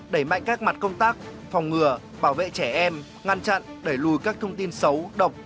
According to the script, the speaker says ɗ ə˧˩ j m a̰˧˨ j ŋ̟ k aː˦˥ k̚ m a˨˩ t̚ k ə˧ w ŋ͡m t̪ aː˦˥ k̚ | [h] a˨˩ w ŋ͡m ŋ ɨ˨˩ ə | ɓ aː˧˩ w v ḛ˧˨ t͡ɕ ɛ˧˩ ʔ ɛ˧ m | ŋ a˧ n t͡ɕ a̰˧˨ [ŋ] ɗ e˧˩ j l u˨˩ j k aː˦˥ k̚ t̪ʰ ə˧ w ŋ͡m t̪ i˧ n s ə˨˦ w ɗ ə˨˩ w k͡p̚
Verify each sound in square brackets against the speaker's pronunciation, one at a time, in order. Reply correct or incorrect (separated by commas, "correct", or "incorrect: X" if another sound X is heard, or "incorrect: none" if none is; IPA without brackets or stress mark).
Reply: incorrect: f, incorrect: n